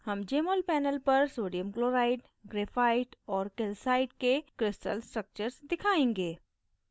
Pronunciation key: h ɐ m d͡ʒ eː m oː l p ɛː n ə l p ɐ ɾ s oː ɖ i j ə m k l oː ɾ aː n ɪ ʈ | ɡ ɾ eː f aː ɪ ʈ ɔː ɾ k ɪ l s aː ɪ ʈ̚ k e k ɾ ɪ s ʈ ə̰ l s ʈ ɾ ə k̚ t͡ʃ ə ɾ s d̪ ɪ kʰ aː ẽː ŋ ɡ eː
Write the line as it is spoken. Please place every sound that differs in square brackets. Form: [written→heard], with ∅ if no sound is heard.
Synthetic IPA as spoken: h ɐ m d͡ʒ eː m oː l p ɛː n ə l p ɐ ɾ s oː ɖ i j ə m k l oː ɾ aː [n→∅] ɪ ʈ | ɡ ɾ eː f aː ɪ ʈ ɔː ɾ k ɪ l s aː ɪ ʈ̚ k e k ɾ ɪ s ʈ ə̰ l s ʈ ɾ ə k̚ t͡ʃ ə ɾ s d̪ ɪ kʰ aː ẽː ŋ ɡ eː